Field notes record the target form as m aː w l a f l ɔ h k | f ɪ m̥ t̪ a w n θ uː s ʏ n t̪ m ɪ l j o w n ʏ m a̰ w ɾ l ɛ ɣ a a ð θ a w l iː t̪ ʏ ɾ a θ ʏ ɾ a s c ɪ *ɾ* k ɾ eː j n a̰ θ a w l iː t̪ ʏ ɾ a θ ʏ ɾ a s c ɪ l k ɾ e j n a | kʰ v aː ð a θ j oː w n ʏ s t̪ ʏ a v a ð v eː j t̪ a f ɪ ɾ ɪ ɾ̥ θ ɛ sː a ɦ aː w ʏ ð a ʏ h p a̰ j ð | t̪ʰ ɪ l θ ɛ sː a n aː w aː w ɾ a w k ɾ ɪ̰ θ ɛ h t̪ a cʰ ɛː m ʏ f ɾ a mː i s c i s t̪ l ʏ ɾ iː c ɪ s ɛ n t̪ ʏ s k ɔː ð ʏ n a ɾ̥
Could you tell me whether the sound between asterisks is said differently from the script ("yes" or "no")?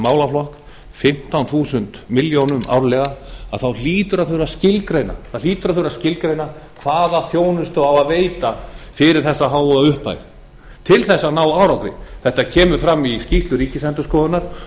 yes